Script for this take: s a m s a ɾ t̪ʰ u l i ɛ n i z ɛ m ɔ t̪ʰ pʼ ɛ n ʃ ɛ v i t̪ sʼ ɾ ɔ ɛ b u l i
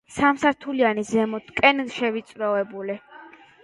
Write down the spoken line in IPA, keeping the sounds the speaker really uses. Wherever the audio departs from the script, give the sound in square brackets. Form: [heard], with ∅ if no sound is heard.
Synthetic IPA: s a m s a ɾ t̪ʰ u l i [a] n i z ɛ m ɔ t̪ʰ [kʼ] ɛ n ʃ ɛ v i t̪ sʼ ɾ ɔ ɛ b u l i